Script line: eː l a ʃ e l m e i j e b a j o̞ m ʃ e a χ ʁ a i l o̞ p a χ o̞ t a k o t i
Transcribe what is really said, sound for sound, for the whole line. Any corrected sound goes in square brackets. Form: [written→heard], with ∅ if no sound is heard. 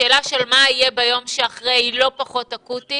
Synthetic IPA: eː l a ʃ e l m [e→a] i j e b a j o̞ m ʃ e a χ ʁ [a→e] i l o̞ p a χ o̞ t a k [o→u] t i

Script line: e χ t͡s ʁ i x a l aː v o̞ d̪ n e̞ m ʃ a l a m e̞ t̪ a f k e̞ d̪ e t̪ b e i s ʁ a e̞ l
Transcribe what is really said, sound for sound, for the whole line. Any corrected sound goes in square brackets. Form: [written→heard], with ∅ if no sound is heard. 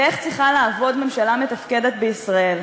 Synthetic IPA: e χ t͡s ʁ i [x→χ] a l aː v o̞ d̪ [n→m] e̞ m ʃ a l a m e̞ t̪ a f k e̞ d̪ e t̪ b e i s ʁ a e̞ l

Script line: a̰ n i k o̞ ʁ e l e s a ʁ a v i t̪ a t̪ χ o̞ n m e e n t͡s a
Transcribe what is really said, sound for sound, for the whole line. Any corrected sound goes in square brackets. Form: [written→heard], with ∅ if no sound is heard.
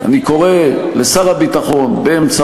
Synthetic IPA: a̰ n i k o̞ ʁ e l e s a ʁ a [v→b] i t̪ a [t̪→∅] χ o̞ n [m→b] e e [n→m] t͡s a

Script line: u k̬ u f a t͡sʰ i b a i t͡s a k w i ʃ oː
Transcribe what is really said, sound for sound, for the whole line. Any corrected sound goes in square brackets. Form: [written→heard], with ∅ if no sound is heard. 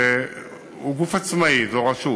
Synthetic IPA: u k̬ u f a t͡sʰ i [b→m] a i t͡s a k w [i→a] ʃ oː

